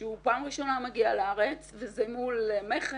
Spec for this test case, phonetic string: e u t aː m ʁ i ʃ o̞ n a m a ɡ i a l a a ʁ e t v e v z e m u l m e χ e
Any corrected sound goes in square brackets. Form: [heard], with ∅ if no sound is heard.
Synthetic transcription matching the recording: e u [p] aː m ʁ i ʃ o̞ n a m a ɡ i a l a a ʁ e [t͡s] v e [∅] z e m u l m e χ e